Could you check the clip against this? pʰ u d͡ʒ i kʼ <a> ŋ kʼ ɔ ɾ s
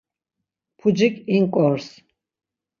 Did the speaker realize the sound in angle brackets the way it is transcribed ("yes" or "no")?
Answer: no